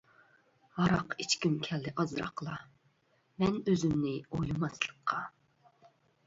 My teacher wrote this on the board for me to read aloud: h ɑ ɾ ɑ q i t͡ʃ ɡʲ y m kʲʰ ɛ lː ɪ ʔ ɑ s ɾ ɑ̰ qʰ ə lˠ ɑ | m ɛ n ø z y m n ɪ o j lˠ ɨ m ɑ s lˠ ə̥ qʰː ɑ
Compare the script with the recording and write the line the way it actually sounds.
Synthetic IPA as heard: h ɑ ɾ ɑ q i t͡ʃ kʲ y m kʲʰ ɛ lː ɪ ʔ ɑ z ɾ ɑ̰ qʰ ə lˠ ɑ | m ɛ n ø z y m n ɪ o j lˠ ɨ m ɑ s lˠ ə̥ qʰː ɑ